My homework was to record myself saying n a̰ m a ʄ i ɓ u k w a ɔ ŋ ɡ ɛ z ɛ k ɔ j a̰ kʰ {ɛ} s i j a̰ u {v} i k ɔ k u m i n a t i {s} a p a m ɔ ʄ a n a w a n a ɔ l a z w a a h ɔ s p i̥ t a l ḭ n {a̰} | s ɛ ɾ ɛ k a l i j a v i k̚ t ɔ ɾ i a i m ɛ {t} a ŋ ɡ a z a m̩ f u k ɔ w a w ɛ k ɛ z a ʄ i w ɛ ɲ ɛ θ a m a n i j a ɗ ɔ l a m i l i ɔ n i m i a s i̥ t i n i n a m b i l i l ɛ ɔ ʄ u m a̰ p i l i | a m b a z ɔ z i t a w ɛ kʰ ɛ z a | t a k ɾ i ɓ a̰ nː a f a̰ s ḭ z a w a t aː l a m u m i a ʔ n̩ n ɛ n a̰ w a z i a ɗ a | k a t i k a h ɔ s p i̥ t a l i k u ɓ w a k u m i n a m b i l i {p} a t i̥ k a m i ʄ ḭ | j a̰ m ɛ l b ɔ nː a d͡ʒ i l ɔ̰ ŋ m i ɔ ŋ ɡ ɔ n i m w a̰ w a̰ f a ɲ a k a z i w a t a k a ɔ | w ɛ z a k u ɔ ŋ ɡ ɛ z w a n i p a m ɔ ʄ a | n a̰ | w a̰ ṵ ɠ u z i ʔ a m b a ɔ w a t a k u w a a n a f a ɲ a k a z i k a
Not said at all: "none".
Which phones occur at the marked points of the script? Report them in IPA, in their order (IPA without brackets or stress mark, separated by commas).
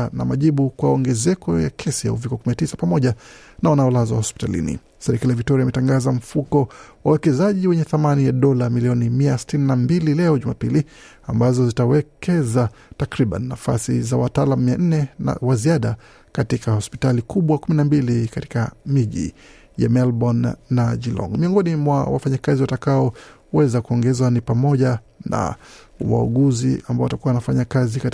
ɛ, v, s, ḭ, t, k